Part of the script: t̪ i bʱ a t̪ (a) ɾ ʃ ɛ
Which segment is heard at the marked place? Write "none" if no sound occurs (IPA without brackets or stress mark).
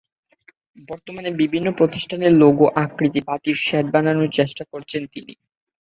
i